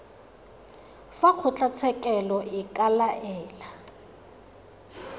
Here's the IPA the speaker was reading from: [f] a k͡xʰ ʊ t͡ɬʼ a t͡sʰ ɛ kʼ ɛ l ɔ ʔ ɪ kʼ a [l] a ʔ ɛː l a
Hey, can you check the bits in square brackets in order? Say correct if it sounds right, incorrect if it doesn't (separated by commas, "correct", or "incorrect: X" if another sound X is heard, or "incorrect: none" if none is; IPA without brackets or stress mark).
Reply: correct, correct